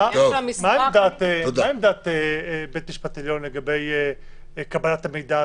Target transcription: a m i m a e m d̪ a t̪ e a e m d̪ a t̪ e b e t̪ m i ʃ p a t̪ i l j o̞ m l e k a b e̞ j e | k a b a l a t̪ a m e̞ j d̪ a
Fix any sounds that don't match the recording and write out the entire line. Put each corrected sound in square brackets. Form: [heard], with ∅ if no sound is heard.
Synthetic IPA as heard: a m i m a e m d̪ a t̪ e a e m d̪ a t̪ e b e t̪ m i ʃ p a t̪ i l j o̞ [n] l e [ɡ] a b e̞ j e | k a b a l a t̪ a m e̞ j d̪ a